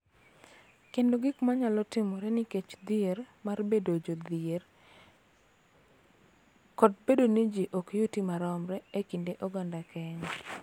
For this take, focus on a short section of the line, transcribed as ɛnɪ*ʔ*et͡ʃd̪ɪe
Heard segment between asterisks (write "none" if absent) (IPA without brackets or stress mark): k